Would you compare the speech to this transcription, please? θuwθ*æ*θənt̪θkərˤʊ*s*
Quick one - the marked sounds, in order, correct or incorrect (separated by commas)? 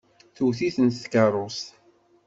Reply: incorrect, correct